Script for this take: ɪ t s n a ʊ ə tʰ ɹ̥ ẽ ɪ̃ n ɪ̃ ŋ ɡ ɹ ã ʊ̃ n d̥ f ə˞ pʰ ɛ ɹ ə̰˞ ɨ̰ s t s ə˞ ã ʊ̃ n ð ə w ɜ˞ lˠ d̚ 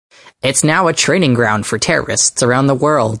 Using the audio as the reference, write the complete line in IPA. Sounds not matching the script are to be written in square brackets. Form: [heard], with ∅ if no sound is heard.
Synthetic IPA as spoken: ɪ t s n a ʊ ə tʰ ɹ̥ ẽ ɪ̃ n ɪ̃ ŋ ɡ ɹ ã ʊ̃ n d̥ f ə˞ [tʰ] ɛ ɹ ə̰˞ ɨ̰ s t s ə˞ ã ʊ̃ n ð ə w ɜ˞ lˠ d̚